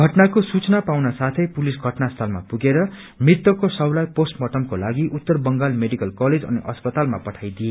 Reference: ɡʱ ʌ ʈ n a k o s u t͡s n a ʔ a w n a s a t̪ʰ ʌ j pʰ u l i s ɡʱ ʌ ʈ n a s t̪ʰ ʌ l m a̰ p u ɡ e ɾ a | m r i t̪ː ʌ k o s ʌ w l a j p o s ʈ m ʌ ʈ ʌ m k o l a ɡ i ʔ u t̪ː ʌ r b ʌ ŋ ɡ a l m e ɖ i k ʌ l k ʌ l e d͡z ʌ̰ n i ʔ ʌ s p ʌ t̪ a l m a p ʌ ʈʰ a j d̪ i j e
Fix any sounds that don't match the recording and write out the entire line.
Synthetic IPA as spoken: ɡʱ ʌ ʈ n a k o s u t͡s n a p a w n a s a t̪ʰ ʌ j p u l i s ɡʱ ʌ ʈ n a s t̪ʰ ʌ l m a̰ p u ɡ e ɾ ʌ | m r i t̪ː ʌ k o s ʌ w l a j p o s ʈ m ʌ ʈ ʌ m k o l a ɡ i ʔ u t̪ː ʌ r b ʌ ŋ ɡ a l m e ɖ i k ʌ l k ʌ l e d͡z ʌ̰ n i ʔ ʌ s p ʌ t̪ a l m a p ʌ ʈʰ a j d̪ i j e